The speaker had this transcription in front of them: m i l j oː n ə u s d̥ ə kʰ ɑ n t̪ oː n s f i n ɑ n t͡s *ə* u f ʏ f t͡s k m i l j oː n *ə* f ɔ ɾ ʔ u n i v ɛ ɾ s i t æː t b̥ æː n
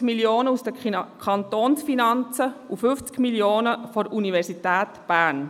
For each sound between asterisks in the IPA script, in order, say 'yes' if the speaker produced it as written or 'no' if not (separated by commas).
yes, yes